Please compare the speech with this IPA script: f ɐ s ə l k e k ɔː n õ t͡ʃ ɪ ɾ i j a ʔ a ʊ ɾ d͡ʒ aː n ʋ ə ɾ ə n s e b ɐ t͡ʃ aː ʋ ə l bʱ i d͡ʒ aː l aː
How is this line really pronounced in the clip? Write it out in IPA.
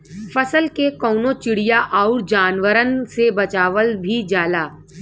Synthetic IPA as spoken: f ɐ s ə l k e k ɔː n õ t͡ʃ ɪ ɽ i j a ʔ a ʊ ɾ d͡ʒ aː n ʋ ə ɾ ə n s e b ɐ t͡ʃ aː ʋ ə l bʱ i d͡ʒ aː l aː